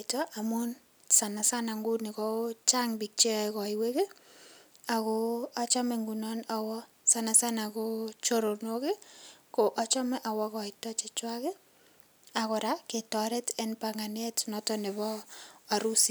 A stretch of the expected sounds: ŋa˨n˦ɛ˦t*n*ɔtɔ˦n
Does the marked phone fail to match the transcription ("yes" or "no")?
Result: no